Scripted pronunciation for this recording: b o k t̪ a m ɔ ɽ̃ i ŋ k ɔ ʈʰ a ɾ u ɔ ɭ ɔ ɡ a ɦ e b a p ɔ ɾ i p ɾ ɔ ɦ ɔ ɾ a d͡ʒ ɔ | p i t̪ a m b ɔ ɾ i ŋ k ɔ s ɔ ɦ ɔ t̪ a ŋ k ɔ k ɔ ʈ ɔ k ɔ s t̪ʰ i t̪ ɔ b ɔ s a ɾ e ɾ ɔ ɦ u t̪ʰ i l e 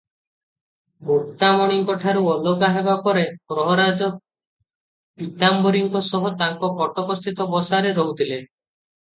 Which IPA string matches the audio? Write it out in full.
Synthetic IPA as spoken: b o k t̪ a m ɔ ɽ̃ i ŋ k ɔ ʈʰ a ɾ u ɔ l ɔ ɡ a ɦ e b a p ɔ ɾ e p ɾ ɔ ɦ ɔ ɾ a d͡ʒ ɔ | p i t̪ a m b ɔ ɾ i ŋ k ɔ s ɔ ɦ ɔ t̪ a ŋ k ɔ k ɔ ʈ ɔ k ɔ s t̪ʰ i t̪ ɔ b ɔ s a ɾ e ɾ ɔ ɦ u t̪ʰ i l e

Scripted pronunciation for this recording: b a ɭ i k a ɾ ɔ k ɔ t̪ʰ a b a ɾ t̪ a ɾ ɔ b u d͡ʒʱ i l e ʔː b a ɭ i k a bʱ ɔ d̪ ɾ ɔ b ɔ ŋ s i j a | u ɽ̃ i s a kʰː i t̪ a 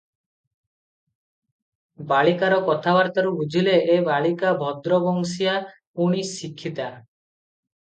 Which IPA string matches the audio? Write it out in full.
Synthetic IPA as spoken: b a ɭ i k a ɾ ɔ k ɔ t̪ʰ a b a ɾ t̪ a ɾ u b u d͡ʒʱ i l e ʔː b a ɭ i k a bʱ ɔ d̪ ɾ ɔ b ɔ ŋ s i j a | u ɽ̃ i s i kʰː i t̪ a

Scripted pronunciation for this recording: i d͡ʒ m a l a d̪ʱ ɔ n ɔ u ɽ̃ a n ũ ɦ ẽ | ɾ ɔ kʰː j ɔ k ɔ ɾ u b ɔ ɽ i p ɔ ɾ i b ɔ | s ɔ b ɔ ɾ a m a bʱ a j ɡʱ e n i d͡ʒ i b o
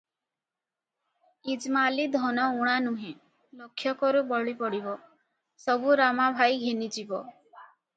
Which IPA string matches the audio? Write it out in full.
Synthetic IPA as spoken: i d͡ʒ m a l i d̪ʱ ɔ n ɔ u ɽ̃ a n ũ ɦ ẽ | l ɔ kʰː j ɔ k ɔ ɾ u b ɔ ɭ i p ɔ ɽ i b ɔ | s ɔ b u ɾ a m a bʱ a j ɡʱ e n i d͡ʒ i b ɔ

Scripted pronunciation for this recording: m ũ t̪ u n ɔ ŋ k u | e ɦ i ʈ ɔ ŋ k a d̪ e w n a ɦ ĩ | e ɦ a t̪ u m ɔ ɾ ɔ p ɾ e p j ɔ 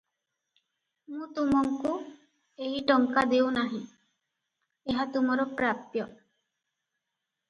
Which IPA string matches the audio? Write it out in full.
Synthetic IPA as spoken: m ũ t̪ u m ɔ ŋ k u | e ɦ i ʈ ɔ ŋ k a d̪ e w n a ɦ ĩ | e ɦ a t̪ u m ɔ ɾ ɔ p ɾ a p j ɔ

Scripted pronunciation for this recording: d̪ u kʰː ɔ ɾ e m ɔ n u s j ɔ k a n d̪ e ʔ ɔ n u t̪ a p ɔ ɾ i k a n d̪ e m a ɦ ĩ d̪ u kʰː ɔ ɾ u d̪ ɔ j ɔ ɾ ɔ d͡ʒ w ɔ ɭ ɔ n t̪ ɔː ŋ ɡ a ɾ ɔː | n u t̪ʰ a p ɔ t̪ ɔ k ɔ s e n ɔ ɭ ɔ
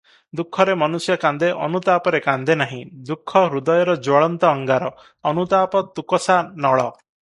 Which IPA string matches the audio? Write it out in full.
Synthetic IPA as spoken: d̪ u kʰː ɔ ɾ e m ɔ n u s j ɔ k a n d̪ e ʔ ɔ n u t̪ a p ɔ ɾ e k a n d̪ e n a ɦ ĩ d̪ u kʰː ɔ ɾ u d̪ ɔ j ɔ ɾ ɔ d͡ʒ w ɔ ɭ ɔ n t̪ ɔː ŋ ɡ a ɾ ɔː | n u t̪ a p ɔ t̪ u k ɔ s a n ɔ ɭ ɔ

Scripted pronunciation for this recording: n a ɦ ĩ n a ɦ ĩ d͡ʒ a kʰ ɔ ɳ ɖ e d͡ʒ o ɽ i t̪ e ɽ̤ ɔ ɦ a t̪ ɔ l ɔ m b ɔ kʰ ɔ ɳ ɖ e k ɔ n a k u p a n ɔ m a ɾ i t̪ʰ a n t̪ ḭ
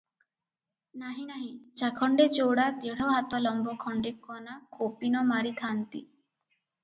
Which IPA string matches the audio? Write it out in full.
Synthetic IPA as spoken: n a ɦ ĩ n a ɦ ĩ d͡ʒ a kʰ ɔ ɳ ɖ e d͡ʒ o ɽ a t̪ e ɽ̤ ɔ ɦ a t̪ ɔ l ɔ m b ɔ kʰ ɔ ɳ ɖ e k ɔ n a k o p i n ɔ m a ɾ i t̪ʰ a n t̪ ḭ

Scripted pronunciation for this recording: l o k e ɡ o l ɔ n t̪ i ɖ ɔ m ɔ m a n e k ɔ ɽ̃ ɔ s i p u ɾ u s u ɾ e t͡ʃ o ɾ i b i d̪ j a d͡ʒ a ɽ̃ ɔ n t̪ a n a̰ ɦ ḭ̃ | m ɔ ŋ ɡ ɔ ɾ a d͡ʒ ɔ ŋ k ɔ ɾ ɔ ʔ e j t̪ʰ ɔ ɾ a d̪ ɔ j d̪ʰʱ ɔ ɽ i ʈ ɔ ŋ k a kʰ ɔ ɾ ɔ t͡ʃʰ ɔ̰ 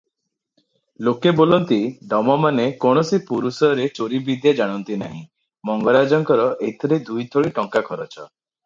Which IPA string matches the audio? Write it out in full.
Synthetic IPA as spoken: l o k e b o l ɔ n t̪ i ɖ ɔ m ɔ m a n e k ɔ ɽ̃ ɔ s i p u ɾ u s ɔ ɾ e t͡ʃ o ɾ i b i d̪ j a d͡ʒ a ɽ̃ ɔ n t̪ i n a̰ ɦ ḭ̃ | m ɔ ŋ ɡ ɔ ɾ a d͡ʒ ɔ ŋ k ɔ ɾ ɔ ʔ e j t̪ʰ ɔ ɾ e d̪ u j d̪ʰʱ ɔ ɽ i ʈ ɔ ŋ k a kʰ ɔ ɾ ɔ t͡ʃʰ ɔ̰

